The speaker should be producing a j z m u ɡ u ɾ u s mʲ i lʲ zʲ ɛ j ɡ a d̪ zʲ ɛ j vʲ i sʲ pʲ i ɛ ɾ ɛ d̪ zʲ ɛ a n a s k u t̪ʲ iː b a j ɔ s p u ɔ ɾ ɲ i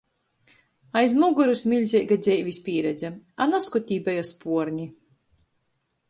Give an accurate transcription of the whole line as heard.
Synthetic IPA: a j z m u ɡ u ɾ u s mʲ i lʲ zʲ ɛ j ɡ a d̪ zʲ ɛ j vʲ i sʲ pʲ i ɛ ɾ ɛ d̪ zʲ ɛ a n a s k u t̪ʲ iː b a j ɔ s p u ɔ ɾ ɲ i

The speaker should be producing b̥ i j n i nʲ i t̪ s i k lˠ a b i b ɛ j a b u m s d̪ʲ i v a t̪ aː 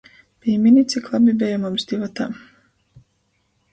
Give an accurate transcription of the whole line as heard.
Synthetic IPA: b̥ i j m i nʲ i t̪ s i k lˠ a b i b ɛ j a m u m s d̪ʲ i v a t̪ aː

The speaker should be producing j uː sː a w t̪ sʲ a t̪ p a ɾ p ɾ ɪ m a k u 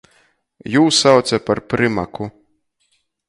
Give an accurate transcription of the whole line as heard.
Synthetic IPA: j uː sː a w t̪ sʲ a p a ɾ p ɾ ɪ m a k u

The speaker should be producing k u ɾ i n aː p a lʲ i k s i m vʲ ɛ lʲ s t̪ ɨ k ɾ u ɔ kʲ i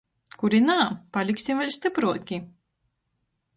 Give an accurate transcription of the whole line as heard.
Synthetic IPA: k u ɾ i n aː p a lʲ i k s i m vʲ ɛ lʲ s t̪ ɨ p ɾ u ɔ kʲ i

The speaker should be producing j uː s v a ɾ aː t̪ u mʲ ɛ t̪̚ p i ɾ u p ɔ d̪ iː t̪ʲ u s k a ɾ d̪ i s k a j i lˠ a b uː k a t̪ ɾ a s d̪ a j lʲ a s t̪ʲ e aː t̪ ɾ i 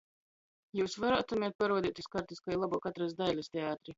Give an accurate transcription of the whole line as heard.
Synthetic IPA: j uː s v a ɾ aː t̪ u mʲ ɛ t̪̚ p a ɾ u ɔ d̪ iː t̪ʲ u s k a ɾ t̪ i s k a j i lˠ a b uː k a t̪ ɾ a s d̪ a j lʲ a s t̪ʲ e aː t̪ ɾ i

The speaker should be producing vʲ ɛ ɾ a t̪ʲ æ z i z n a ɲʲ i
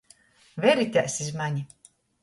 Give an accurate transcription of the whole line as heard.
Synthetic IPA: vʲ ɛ ɾ i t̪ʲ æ s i z m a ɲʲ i

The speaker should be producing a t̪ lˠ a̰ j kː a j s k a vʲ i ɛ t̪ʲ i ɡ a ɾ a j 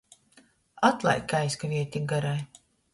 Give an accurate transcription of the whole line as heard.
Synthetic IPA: a t̪ lˠ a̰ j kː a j s k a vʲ i ɛ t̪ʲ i ɡ a ɾ a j

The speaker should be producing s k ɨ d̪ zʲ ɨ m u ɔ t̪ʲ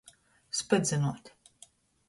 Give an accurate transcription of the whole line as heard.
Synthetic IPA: s p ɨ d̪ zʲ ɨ n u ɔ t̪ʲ

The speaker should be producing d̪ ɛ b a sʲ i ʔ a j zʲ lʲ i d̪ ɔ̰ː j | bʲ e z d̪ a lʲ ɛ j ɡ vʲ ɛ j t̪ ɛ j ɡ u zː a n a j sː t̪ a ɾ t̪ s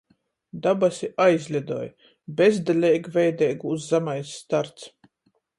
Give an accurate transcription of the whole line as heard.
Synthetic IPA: d̪ a b a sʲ i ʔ a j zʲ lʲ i d̪ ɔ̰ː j | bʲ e z d̪ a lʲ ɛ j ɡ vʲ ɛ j d̪ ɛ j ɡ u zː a m a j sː t̪ a ɾ t̪ s

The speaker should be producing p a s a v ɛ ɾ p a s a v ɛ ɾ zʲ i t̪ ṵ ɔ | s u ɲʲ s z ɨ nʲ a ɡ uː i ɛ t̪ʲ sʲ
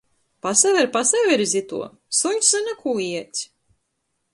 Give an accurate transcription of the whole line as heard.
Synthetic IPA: p a s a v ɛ ɾ p a s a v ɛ ɾ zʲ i t̪ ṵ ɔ | s u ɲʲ s z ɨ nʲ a k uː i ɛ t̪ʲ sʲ

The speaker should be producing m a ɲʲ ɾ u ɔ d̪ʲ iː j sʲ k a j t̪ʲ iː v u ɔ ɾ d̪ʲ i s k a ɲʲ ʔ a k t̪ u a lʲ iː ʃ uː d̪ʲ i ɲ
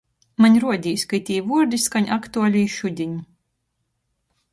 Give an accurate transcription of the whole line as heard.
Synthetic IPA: m a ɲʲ ɾ u ɔ d̪ʲ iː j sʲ k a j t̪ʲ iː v u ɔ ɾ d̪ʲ i s k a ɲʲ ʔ a k t̪ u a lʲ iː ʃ u d̪ʲ i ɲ

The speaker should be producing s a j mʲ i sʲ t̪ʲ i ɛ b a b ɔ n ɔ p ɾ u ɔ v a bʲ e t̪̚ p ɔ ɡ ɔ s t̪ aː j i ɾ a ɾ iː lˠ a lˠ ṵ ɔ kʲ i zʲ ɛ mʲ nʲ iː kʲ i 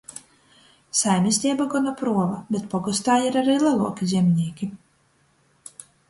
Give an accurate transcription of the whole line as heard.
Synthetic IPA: s a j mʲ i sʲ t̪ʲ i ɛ b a ɡ ɔ n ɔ p ɾ u ɔ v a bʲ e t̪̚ p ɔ ɡ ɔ s t̪ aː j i ɾ a ɾ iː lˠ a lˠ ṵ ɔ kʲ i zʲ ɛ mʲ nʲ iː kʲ i

